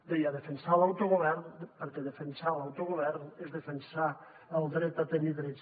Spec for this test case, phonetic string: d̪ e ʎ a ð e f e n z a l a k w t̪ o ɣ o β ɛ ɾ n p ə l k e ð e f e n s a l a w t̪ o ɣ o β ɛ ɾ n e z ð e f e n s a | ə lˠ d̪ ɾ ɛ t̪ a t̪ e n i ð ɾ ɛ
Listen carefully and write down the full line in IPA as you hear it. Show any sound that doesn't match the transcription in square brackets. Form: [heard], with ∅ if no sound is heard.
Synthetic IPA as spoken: d̪ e [j] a ð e f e n [s] a l a [∅] w t̪ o ɣ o β ɛ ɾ n p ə [ɾ] k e ð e f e n s a l a w t̪ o ɣ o β ɛ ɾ n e z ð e f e n s a | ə lˠ d̪ ɾ ɛ t̪ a t̪ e n i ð ɾ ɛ